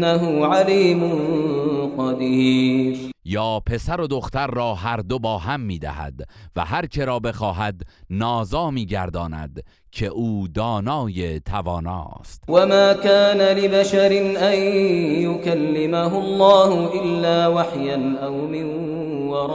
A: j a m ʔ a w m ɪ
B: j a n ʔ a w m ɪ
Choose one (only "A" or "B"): B